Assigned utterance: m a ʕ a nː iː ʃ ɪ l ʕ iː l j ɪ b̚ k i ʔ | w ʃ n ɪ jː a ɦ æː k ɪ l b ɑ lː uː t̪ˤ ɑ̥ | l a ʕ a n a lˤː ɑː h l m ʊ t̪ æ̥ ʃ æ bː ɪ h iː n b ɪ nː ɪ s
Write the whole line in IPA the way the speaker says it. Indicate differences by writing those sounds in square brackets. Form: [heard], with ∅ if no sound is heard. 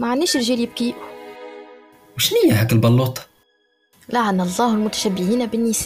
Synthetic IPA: m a ʕ a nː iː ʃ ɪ l [ʒ] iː l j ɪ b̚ k i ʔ | w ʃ n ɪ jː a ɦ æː k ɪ l b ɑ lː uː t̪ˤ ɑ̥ | l a ʕ a n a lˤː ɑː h l m ʊ t̪ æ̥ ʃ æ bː ɪ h iː n b ɪ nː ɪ s